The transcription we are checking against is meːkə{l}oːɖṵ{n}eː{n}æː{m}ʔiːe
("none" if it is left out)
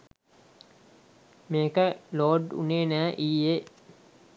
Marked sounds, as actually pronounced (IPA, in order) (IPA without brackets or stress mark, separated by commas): l, n, n, none